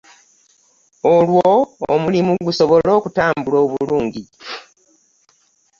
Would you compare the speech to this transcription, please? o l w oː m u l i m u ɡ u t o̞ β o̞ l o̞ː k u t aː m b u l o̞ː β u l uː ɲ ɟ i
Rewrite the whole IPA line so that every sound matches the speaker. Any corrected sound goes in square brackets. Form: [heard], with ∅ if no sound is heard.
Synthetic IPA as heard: o l w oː m u l i m u ɡ u [s] o̞ β o̞ l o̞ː k u t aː m b u l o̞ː β u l uː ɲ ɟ i